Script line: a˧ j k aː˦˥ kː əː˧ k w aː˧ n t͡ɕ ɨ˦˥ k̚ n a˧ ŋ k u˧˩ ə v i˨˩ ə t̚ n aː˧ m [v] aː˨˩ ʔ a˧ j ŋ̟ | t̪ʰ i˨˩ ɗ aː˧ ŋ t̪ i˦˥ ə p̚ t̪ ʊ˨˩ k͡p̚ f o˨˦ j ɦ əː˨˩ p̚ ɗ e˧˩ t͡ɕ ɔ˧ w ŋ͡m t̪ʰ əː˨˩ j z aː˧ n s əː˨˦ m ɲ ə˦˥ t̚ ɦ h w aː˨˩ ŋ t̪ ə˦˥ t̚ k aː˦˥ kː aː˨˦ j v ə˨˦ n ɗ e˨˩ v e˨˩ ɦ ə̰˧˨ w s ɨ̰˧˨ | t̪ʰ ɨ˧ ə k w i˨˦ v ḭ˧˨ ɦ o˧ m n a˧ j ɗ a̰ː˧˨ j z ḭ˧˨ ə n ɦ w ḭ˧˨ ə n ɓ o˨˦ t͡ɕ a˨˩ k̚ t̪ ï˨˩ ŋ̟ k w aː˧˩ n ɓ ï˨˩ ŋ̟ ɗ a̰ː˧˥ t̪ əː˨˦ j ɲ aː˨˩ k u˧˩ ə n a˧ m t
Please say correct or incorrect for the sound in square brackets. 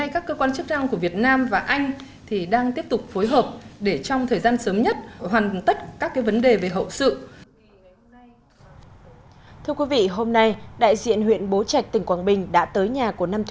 correct